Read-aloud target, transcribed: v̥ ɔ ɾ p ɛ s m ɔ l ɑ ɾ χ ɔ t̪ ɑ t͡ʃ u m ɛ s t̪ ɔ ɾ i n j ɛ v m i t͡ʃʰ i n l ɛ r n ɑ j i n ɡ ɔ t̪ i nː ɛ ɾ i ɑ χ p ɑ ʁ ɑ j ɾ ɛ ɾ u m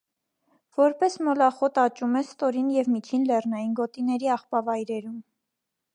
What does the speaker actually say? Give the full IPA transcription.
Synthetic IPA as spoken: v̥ ɔ ɾ p ɛ s m ɔ l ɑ χ ɔ t̪ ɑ t͡ʃ u m ɛ s t̪ ɔ ɾ i n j ɛ v m i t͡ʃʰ i n l ɛ r n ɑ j i n ɡ ɔ t̪ i n ɛ ɾ i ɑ χ p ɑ v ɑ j ɾ ɛ ɾ u m